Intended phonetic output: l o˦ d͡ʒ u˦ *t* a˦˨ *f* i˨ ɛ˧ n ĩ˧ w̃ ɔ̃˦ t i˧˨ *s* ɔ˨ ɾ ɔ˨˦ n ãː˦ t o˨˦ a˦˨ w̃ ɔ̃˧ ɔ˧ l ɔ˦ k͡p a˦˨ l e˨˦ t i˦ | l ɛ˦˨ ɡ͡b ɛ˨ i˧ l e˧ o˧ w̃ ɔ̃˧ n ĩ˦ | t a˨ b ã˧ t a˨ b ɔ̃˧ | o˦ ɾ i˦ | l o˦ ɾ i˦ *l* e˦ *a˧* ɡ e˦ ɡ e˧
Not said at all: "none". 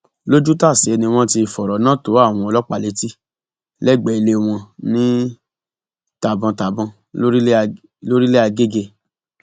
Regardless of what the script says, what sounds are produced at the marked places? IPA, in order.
t, s, f, l, a˧

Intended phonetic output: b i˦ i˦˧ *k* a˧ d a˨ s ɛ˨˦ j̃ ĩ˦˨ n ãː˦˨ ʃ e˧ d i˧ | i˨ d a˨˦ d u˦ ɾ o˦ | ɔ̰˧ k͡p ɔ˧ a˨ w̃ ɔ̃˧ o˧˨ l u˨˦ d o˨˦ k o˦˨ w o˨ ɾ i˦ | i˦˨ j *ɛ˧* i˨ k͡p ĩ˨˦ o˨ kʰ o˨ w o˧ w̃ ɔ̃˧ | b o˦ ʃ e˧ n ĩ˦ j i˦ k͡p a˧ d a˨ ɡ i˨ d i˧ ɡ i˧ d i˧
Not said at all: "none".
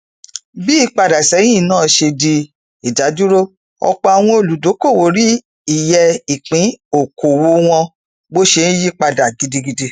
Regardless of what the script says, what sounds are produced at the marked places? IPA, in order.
k͡p, ɛ˧

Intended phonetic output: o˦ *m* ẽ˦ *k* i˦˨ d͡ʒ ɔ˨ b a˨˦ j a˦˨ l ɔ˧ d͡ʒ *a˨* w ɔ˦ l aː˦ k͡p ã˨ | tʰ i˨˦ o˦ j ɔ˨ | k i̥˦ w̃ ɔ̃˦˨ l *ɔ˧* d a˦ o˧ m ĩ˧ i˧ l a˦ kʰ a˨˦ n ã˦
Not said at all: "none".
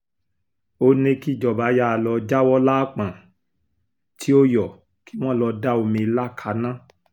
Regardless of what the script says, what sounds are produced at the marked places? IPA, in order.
n, k, a˦, ɔ˧

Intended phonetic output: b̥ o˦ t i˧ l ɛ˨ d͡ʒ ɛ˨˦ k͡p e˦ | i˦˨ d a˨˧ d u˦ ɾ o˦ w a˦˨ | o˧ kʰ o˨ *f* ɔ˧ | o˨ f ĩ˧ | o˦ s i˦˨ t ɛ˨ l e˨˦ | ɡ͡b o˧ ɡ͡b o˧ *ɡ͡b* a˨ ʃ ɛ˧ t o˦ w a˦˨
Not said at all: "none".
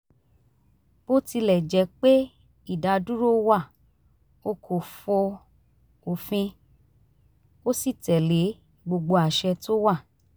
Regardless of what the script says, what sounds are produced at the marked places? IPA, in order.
f, none

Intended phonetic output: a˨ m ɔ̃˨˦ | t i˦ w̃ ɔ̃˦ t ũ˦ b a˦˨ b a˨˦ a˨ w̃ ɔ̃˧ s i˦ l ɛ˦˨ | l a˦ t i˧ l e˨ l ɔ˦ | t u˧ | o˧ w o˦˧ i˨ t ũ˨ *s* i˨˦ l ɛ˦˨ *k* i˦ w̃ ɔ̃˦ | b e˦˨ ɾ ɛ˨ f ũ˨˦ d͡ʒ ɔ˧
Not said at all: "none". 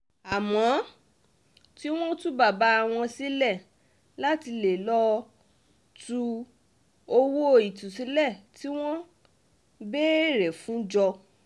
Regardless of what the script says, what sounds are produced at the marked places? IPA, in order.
s, t

